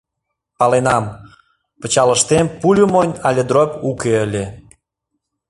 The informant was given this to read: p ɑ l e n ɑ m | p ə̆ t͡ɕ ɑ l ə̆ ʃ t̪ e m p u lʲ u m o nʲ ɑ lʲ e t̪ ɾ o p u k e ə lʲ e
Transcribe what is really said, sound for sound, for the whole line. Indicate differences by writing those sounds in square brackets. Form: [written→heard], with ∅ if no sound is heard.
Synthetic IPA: p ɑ l e n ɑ m | p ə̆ t͡ɕ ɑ l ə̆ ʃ t̪ e m p u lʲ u m o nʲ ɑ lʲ e [t̪→d̪] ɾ o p u k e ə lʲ e